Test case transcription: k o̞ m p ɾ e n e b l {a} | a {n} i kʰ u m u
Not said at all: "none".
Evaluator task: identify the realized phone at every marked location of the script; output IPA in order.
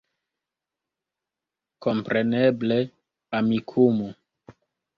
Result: e, m

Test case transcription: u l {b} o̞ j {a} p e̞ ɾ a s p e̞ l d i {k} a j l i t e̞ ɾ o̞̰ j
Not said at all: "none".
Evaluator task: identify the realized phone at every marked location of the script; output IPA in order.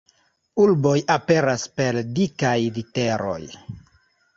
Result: b, a, k

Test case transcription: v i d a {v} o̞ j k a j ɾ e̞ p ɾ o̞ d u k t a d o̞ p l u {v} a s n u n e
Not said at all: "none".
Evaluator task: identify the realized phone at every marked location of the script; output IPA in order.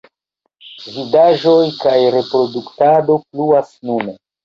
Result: ʒ, none

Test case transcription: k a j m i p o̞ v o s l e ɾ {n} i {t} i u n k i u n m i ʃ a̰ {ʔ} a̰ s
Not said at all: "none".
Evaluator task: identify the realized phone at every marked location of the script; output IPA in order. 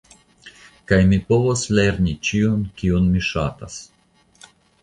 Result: n, t͡ʃ, t

